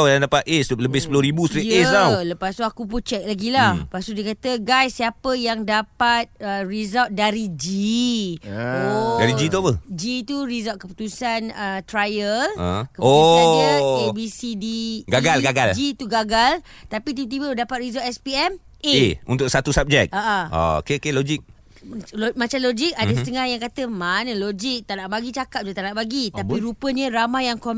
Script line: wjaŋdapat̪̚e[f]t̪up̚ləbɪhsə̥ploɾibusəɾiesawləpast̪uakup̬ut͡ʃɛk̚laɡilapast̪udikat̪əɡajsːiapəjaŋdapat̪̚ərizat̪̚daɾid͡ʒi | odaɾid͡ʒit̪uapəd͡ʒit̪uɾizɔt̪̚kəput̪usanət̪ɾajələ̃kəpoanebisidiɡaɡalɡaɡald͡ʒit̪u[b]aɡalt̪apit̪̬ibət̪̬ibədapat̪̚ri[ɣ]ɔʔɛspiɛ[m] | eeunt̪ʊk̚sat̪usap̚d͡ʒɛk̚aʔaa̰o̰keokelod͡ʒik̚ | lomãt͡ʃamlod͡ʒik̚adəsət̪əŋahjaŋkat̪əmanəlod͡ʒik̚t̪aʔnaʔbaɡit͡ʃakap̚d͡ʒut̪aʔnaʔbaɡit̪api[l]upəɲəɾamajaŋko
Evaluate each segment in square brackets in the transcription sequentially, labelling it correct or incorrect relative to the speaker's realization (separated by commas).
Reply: incorrect, incorrect, incorrect, correct, incorrect